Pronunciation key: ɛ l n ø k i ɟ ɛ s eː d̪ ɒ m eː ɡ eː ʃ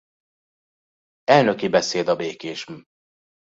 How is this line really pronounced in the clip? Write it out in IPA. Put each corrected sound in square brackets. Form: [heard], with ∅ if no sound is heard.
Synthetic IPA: ɛ l n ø k i [b] ɛ s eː d̪ ɒ [b] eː [k] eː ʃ